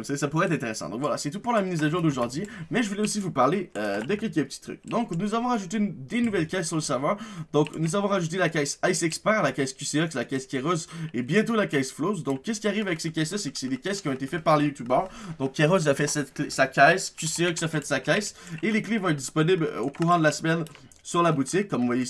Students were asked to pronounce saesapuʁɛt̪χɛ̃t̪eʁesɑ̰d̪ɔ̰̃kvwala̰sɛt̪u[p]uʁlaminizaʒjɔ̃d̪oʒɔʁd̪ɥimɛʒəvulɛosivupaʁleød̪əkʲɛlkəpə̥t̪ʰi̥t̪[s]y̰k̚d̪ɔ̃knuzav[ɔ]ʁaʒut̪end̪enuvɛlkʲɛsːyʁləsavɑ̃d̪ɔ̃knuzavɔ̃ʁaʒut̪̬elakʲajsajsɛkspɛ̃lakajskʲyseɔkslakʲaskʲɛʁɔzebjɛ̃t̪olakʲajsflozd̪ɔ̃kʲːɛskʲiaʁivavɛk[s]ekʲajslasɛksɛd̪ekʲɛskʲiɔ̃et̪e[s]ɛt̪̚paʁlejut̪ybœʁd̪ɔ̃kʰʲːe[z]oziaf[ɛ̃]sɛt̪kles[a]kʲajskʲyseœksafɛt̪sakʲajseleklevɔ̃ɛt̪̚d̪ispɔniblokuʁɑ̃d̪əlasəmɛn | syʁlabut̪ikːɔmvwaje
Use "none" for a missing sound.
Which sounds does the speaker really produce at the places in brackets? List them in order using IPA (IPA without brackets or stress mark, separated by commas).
p, χ, ɔ̃, s, f, ʁ, ɛ, a